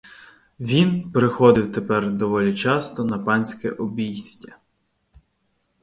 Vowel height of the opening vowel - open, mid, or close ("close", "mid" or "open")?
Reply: close